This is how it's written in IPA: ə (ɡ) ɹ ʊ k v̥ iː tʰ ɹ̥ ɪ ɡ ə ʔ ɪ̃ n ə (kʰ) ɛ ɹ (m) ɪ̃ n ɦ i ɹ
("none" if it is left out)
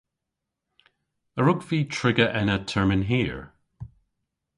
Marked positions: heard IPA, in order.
none, tʰ, m

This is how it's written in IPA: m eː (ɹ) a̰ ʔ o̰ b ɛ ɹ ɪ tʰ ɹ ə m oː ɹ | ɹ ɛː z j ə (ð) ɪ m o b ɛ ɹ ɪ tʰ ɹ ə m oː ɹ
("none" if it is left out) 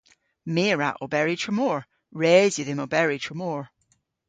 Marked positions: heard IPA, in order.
ɹ, ð

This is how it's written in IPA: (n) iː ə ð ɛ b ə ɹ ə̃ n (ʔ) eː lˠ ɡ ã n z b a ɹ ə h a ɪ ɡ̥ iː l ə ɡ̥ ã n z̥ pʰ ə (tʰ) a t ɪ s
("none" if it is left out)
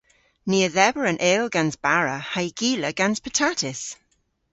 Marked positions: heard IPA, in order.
n, ʔ, tʰ

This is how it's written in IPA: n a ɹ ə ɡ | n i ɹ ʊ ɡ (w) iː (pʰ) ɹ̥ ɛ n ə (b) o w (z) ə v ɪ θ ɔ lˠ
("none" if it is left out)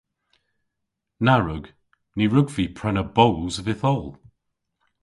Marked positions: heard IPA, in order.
v, pʰ, b, z

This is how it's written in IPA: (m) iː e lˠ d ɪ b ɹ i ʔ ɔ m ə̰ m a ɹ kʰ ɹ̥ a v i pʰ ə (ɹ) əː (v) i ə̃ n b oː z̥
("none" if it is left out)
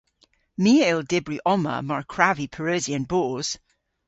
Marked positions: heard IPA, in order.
m, ɹ, z

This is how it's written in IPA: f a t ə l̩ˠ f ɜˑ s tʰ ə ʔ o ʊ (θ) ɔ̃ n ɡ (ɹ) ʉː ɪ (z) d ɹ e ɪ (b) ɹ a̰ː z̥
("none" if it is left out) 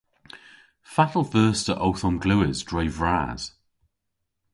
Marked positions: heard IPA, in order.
θ, l, z, v

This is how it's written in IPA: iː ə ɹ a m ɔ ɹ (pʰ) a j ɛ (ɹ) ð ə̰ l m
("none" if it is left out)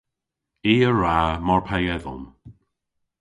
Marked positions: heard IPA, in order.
pʰ, none

